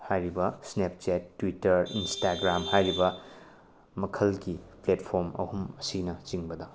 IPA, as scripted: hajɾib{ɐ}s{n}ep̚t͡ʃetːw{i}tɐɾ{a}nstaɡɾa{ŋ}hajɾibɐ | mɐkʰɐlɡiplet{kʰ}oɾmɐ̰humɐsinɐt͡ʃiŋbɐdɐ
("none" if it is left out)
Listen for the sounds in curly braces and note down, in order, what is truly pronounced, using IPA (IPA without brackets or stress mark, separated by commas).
ɐ, n, i, i, m, pʰ